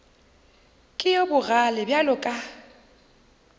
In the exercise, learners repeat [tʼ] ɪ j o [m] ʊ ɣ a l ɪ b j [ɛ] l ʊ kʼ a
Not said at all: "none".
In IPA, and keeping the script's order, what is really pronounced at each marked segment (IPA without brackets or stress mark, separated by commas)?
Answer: kʼ, b, a